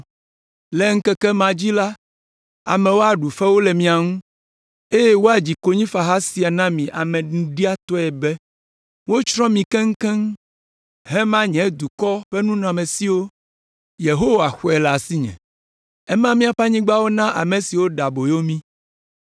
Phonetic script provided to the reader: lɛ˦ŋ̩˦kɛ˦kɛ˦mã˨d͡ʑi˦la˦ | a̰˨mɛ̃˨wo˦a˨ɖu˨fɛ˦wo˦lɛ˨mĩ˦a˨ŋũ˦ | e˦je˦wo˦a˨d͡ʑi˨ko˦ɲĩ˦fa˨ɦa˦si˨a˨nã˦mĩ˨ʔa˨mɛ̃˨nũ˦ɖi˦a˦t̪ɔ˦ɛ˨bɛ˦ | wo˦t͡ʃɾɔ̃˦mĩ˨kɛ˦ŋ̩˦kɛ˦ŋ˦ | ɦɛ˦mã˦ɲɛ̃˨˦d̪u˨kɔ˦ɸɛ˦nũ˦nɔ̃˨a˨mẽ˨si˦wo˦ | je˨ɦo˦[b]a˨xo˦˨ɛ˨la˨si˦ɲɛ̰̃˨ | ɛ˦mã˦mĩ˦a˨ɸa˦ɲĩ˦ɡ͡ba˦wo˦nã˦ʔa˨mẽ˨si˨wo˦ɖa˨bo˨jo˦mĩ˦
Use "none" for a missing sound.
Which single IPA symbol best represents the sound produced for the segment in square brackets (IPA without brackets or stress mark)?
w